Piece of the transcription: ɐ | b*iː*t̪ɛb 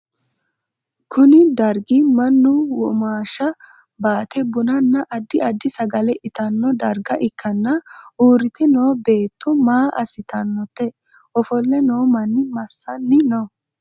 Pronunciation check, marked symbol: incorrect: aː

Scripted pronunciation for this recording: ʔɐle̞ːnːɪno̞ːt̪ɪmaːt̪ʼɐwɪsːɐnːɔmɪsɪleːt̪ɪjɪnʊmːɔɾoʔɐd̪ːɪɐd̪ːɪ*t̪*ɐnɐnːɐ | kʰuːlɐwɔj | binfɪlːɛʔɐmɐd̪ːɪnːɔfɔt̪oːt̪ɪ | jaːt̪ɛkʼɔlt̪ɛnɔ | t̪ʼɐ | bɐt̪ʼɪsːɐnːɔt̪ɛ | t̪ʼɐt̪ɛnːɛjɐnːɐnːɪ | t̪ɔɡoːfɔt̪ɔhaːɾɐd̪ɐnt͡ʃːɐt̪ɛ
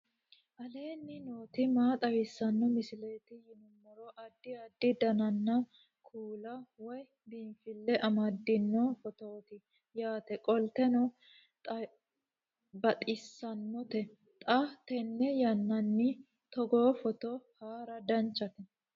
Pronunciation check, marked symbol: incorrect: d̪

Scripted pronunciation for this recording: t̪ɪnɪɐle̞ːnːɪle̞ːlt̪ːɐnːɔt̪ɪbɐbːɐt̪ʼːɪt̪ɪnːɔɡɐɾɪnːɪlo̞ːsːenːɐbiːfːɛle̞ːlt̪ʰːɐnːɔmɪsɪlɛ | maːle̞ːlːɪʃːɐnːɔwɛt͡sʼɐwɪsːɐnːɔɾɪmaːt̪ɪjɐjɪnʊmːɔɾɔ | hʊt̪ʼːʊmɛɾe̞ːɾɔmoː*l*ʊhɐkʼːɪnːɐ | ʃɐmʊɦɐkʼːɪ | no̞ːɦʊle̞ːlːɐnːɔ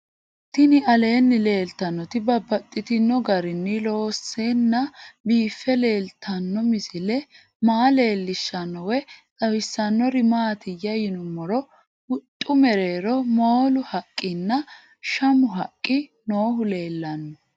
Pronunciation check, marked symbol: correct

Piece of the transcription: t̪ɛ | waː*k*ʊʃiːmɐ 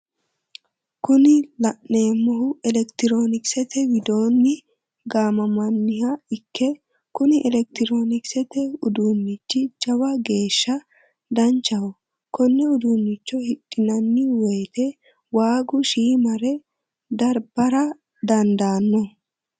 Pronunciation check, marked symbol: incorrect: ɡ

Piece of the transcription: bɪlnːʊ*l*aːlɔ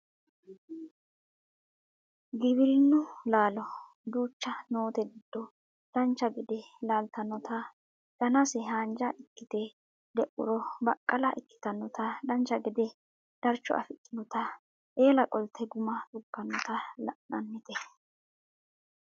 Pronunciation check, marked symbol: correct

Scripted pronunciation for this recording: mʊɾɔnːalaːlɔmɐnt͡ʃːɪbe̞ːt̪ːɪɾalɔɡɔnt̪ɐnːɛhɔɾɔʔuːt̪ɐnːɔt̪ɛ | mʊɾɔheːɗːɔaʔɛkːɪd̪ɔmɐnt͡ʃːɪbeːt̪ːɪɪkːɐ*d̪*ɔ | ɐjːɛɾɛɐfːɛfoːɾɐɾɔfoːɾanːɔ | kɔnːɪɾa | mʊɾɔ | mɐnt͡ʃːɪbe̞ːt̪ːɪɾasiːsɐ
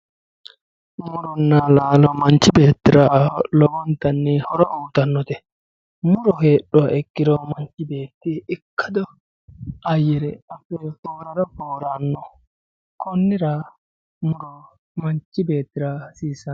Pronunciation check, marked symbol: correct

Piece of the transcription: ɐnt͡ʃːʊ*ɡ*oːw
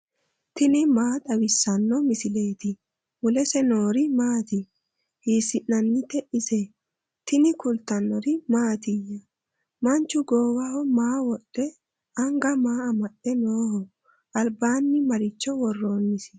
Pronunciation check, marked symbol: correct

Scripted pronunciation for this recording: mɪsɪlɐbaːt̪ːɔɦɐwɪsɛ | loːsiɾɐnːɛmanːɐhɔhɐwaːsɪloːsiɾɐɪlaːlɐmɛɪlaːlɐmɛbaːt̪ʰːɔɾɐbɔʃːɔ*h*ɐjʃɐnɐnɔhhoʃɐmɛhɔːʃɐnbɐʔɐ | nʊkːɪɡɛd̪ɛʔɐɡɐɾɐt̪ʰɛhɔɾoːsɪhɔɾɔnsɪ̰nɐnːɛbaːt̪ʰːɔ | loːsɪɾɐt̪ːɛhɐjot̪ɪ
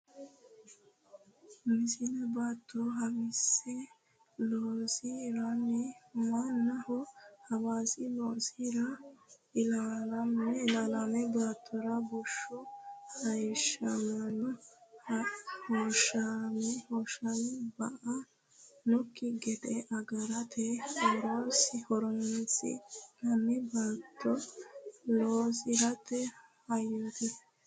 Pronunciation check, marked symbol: correct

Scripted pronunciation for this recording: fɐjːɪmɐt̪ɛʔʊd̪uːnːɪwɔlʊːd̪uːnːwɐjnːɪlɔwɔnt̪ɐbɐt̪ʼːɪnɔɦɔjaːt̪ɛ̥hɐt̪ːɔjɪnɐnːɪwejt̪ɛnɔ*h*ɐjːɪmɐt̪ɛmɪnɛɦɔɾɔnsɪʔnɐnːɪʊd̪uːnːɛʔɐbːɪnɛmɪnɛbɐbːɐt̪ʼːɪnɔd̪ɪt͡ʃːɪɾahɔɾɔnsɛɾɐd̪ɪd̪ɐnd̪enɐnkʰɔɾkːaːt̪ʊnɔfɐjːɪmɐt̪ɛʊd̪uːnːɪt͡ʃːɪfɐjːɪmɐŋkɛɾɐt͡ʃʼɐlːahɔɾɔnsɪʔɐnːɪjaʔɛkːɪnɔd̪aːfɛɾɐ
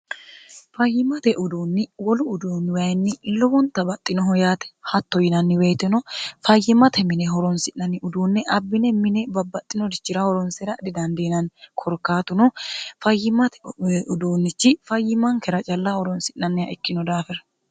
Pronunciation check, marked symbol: incorrect: f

